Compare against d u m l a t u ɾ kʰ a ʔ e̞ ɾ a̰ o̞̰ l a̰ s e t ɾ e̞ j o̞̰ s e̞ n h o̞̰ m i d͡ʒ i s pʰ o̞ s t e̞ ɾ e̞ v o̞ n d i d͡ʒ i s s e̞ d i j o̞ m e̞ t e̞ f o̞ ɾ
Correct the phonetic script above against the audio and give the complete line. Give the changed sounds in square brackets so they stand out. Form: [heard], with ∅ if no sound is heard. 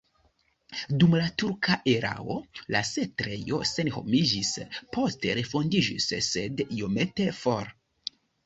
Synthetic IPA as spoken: d u m l a t u ɾ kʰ a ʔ e̞ ɾ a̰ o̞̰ l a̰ s e t ɾ e̞ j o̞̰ s e̞ n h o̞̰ m i d͡ʒ i s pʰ o̞ s t e̞ ɾ e̞ [f] o̞ n d i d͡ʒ i s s e̞ d i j o̞ m e̞ t e̞ f o̞ ɾ